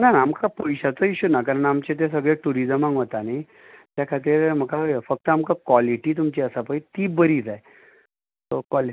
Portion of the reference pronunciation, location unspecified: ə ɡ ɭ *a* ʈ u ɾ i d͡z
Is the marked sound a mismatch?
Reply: yes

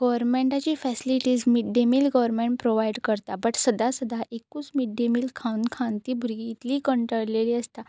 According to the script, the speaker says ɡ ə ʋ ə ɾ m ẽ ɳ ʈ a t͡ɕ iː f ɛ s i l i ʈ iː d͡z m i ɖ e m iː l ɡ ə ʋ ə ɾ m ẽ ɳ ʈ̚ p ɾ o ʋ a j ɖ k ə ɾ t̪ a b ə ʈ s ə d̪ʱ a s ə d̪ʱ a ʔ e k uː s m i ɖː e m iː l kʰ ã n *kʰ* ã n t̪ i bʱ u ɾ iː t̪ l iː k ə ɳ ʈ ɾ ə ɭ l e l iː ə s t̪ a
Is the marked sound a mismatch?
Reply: no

